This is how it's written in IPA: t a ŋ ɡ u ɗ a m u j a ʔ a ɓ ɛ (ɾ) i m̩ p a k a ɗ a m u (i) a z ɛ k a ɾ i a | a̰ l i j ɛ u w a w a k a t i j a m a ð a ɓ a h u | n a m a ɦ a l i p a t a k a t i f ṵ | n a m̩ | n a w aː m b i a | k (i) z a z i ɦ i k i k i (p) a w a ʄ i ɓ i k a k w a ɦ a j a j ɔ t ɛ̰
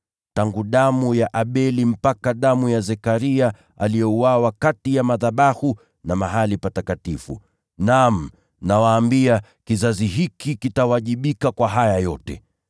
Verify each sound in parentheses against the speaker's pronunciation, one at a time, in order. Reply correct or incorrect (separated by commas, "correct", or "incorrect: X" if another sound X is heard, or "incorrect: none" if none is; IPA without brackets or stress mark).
incorrect: l, incorrect: j, correct, incorrect: t